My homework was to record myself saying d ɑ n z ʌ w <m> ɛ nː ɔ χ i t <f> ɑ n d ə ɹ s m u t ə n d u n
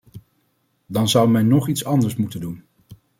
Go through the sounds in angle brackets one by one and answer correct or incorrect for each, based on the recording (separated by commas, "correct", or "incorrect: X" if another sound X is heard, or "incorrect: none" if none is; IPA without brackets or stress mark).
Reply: correct, incorrect: s